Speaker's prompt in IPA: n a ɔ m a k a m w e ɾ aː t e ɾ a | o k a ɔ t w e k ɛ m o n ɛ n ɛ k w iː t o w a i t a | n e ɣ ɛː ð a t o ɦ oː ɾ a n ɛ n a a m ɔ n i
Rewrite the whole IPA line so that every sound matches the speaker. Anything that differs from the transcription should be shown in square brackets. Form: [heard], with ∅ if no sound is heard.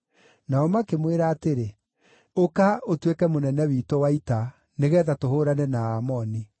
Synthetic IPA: n a ɔ m a k [e] m w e ɾ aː t e ɾ [e] | o k a [o] t w e k ɛ m o n ɛ n ɛ [∅] w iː t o w a i t a | n e ɣ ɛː ð a t o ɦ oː ɾ a n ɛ n a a m ɔ n i